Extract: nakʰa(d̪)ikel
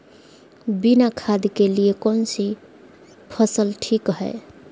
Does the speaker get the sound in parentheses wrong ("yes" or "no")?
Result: no